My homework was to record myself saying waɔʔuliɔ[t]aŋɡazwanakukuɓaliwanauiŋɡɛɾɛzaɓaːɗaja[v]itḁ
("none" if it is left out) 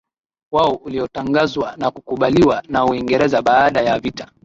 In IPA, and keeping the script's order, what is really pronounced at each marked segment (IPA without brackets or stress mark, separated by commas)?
t, v